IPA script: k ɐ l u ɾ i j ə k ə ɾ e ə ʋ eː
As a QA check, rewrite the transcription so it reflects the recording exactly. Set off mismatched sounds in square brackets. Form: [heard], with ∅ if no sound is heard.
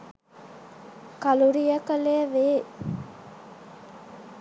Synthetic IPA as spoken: k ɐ l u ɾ i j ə k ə [l] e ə ʋ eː